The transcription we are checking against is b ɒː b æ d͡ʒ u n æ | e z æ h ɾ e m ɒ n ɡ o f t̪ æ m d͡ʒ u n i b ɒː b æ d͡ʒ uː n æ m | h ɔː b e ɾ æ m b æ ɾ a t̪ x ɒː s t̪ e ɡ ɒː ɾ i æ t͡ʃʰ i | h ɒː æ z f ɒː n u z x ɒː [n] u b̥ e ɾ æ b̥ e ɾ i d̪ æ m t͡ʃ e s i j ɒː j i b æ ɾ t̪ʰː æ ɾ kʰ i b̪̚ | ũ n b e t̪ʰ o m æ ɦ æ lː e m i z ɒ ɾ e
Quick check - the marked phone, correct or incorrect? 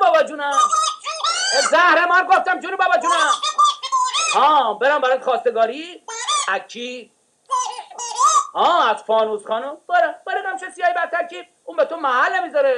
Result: correct